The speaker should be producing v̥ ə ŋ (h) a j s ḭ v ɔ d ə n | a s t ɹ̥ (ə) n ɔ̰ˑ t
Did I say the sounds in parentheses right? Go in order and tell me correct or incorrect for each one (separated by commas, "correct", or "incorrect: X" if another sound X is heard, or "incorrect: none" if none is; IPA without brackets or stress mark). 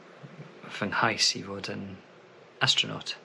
correct, correct